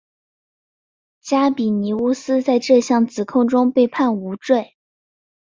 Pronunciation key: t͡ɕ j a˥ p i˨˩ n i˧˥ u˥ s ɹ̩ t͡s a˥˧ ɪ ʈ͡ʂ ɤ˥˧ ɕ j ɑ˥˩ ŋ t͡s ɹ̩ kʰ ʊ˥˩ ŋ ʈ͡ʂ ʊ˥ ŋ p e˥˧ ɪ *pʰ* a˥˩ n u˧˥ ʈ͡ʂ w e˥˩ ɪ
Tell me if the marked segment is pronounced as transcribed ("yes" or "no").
yes